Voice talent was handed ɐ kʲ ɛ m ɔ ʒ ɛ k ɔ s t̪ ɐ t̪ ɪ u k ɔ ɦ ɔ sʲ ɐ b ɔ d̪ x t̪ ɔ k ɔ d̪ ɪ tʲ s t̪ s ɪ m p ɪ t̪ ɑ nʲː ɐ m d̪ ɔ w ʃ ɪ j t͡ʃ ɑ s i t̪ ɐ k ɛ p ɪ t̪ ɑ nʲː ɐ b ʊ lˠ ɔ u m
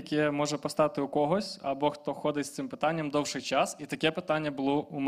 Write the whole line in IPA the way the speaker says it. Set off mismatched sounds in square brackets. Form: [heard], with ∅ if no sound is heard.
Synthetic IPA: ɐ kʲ ɛ m ɔ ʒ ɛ [p] ɔ s t̪ [ɑ] t̪ ɪ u k ɔ ɦ ɔ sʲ ɐ b ɔ [∅] x t̪ ɔ [x] ɔ d̪ ɪ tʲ s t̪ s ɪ m p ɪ t̪ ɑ nʲː ɐ m d̪ ɔ w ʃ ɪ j t͡ʃ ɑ s i t̪ ɐ k ɛ p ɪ t̪ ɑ nʲː ɐ b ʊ lˠ ɔ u m